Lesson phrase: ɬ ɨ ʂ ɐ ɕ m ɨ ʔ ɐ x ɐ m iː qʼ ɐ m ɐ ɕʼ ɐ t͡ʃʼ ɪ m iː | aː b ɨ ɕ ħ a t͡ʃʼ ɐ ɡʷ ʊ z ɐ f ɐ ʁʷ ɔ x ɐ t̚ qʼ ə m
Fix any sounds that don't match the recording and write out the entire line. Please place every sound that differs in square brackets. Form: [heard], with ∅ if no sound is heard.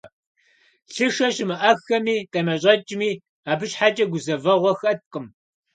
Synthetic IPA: ɬ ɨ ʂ ɐ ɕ m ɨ ʔ ɐ x ɐ m iː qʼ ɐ m ɐ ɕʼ ɐ t͡ʃʼ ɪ m iː | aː b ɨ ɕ ħ a t͡ʃʼ ɐ ɡʷ ʊ z ɐ [v] ɐ ʁʷ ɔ x ɐ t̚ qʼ ə m